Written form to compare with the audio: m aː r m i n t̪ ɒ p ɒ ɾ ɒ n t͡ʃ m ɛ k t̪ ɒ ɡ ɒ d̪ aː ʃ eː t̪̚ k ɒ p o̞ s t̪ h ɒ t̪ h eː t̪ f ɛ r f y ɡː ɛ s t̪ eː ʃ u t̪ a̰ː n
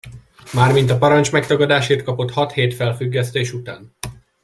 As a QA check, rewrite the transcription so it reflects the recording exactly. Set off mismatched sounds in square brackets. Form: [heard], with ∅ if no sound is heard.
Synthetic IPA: m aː r m i n t̪ ɒ p ɒ ɾ ɒ n t͡ʃ m ɛ k t̪ ɒ ɡ ɒ d̪ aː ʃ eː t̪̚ k ɒ p o̞ [∅] t̪ h ɒ t̪ h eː t̪ f ɛ [l] f y ɡː ɛ s t̪ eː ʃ u t̪ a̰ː n

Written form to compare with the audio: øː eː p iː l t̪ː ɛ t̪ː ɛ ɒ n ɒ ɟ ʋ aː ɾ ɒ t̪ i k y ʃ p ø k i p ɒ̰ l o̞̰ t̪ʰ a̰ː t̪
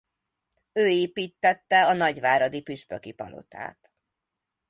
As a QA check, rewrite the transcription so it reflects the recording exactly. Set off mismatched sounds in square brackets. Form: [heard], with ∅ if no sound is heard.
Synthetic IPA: øː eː p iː [∅] t̪ː ɛ t̪ː ɛ ɒ n ɒ ɟ ʋ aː ɾ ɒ [d̪] i [p] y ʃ p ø k i p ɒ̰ l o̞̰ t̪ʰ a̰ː t̪

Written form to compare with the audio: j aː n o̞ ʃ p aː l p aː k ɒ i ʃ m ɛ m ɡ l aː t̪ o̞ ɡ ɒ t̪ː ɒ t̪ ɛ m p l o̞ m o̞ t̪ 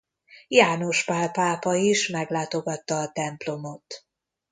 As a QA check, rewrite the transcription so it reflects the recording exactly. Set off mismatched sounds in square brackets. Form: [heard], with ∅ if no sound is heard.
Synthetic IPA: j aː n o̞ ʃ p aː l p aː [p] ɒ i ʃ m ɛ [∅] ɡ l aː t̪ o̞ ɡ ɒ t̪ː [ɒː] t̪ ɛ m p l o̞ m o̞ t̪

